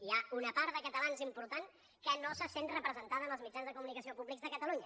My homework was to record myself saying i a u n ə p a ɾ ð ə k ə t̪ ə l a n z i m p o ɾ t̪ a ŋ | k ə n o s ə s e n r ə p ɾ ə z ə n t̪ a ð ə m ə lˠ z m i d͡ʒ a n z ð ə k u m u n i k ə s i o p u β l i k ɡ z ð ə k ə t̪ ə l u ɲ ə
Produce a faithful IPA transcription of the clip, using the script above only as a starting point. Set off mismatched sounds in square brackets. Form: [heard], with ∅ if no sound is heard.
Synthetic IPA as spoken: i a u n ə p a ɾ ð ə k ə t̪ ə l a n z i m p [u] ɾ t̪ a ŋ | k ə n o s ə s e n r ə p ɾ ə z ə n t̪ a ð ə m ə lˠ z m i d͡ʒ a n z ð ə k u m u n i k ə s i o p u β l i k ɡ z ð ə k ə t̪ ə l u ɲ ə